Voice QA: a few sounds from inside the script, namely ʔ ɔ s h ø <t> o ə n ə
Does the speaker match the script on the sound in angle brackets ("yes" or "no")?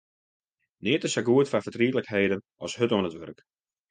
yes